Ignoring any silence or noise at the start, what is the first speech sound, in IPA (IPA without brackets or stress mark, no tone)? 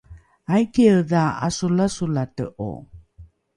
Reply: a